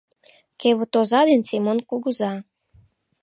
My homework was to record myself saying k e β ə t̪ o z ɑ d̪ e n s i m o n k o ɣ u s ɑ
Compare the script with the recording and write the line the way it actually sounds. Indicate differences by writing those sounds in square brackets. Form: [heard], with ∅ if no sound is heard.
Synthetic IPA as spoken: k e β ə t̪ o z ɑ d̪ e n s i m o n k [u] ɣ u [z] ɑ